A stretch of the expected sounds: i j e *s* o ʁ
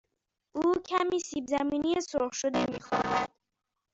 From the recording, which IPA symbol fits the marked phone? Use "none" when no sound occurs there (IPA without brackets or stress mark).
s